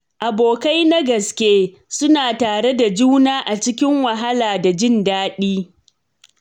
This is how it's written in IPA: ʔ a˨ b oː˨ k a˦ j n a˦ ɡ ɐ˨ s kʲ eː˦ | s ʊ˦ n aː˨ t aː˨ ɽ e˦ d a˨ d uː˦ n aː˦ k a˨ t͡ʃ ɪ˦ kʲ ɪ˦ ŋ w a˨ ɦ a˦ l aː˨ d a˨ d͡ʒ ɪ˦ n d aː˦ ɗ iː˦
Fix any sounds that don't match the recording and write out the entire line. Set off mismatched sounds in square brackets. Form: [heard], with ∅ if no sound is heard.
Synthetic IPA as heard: ʔ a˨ b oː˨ k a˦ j n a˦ ɡ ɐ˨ s kʲ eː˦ | s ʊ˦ n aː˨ t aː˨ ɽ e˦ d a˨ [d͡ʒ] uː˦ n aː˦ [ʔ] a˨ t͡ʃ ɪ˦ kʲ ɪ˦ ŋ w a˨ ɦ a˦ l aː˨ d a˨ d͡ʒ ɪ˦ n d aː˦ ɗ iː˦